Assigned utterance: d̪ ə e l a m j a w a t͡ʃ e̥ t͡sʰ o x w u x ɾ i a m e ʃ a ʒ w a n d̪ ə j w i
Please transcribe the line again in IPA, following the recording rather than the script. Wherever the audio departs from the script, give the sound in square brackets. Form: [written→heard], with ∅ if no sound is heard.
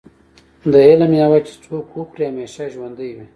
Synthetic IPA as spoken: d̪ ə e l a m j a w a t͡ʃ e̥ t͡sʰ o [x→k] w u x ɾ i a m e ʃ a ʒ w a n d̪ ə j w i